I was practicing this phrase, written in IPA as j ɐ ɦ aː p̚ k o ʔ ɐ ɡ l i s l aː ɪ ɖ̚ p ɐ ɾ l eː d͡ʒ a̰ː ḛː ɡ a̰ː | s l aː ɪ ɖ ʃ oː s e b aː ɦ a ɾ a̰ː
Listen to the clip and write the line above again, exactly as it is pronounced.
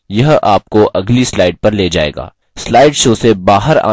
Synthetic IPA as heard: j ɐ ɦ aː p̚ k o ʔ ɐ ɡ l i s l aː ɪ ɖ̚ p ɐ ɾ l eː d͡ʒ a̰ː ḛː ɡ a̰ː | s l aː ɪ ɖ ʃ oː s e b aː ɦ ə ɾ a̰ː